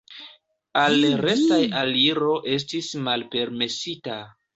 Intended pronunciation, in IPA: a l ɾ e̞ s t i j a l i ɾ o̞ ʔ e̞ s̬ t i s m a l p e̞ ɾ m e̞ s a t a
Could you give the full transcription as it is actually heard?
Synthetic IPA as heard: a l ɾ e̞ s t a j a l i ɾ o̞ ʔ e̞ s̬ t i s m a l p e̞ ɾ m e̞ s i t a